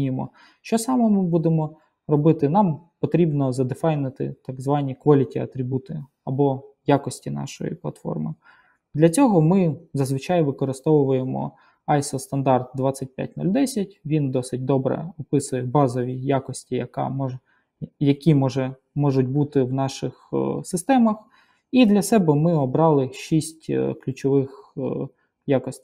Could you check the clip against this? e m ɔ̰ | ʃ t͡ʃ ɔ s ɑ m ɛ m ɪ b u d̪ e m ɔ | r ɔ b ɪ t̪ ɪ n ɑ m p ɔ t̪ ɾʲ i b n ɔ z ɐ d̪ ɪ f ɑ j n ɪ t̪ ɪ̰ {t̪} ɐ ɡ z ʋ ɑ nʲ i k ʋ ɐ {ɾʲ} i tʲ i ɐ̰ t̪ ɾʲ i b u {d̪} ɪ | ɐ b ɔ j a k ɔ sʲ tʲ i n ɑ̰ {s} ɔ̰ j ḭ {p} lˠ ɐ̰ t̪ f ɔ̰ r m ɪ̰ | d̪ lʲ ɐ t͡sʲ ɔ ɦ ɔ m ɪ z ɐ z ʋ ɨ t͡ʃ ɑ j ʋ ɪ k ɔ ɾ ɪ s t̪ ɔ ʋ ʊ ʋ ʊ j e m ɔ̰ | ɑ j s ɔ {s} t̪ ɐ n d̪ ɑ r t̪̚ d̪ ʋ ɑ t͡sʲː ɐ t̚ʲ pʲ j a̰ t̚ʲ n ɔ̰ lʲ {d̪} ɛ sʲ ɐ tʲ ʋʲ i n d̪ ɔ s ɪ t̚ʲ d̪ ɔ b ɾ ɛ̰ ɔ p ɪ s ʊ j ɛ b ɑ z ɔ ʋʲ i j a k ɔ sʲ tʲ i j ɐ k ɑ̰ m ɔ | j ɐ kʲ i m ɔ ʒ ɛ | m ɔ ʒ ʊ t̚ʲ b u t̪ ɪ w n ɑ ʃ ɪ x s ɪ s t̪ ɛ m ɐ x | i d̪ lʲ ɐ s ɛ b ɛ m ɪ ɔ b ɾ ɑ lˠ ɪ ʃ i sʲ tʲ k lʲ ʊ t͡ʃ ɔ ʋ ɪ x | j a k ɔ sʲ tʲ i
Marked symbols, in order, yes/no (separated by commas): yes, no, no, no, yes, yes, yes